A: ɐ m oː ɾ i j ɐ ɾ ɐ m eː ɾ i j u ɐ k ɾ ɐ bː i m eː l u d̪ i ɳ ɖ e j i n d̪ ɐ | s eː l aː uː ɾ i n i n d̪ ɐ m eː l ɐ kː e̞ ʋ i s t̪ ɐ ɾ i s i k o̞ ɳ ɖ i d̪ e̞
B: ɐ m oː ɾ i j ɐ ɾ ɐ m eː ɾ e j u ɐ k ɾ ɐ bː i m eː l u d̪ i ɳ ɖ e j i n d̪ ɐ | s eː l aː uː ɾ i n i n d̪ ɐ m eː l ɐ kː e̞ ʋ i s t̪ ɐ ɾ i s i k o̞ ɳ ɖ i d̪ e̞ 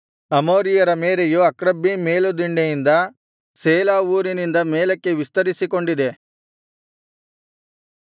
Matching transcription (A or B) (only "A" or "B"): B